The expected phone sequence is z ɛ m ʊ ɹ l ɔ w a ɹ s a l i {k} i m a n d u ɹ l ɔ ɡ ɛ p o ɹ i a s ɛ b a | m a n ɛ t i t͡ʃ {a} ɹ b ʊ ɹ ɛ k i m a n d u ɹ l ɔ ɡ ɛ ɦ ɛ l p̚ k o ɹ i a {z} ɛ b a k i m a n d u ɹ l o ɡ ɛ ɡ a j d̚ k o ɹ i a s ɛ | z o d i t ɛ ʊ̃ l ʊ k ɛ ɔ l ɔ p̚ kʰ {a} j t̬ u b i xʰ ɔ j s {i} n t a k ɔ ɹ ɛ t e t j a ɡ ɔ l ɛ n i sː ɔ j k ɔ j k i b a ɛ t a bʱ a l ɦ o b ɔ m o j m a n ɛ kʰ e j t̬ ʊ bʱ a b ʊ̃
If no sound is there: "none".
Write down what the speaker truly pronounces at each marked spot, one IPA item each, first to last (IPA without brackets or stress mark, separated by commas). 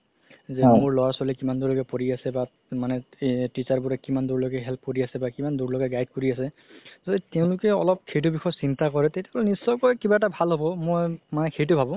k, a, s, e, i